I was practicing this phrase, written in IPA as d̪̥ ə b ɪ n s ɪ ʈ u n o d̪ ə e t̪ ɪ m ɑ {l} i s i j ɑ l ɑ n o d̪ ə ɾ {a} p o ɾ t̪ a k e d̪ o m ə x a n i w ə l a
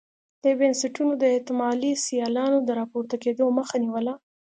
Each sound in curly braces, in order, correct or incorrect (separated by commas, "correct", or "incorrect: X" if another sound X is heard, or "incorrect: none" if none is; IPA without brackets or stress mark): correct, incorrect: ɑ